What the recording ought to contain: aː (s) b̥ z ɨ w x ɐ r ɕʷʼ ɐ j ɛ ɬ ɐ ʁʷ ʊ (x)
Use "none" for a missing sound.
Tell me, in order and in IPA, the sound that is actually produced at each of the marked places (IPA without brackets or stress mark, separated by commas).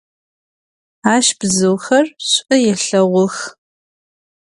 ʃ, x